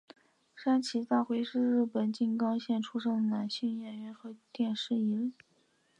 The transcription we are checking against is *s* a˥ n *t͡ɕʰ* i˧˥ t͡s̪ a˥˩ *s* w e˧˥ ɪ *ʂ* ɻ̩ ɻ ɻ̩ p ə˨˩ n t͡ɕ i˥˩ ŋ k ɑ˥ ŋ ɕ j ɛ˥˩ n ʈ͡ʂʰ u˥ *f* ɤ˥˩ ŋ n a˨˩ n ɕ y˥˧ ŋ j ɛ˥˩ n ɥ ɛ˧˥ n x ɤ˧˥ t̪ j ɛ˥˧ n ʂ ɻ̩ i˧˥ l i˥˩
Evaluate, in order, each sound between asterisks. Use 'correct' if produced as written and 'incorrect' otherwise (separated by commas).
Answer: incorrect, correct, incorrect, correct, incorrect